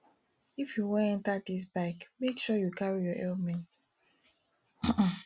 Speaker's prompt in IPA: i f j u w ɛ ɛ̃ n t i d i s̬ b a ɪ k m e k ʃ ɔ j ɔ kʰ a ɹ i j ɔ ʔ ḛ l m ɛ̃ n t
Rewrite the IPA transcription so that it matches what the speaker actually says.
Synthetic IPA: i f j u w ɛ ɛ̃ n t a d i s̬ b a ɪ k m e k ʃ ɔ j u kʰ a ɹ i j ɔ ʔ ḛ l m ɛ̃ n t